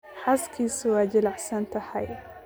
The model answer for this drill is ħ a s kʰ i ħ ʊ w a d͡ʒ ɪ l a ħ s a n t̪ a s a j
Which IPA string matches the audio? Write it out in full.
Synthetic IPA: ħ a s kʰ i s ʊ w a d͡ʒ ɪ l a ħ s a n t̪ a ħ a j